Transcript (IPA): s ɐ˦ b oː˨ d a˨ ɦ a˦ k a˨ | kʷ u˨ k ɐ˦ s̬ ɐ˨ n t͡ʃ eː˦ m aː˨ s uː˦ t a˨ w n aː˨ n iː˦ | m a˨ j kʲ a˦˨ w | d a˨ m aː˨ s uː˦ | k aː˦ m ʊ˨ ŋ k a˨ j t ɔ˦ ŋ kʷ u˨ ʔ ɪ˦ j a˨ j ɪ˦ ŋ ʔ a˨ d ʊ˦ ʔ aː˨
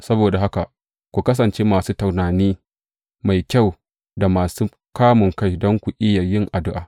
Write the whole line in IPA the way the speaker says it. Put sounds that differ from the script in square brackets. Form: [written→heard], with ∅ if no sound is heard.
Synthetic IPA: s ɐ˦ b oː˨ d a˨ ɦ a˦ k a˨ | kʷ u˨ k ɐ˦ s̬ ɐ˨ n t͡ʃ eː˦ m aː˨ s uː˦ t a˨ w n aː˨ n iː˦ | m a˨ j kʲ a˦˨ w | d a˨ m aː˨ s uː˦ | k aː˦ m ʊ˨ ŋ k [a˨→a˦] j [t→d] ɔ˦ ŋ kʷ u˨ ʔ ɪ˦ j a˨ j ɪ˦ ŋ ʔ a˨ d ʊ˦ ʔ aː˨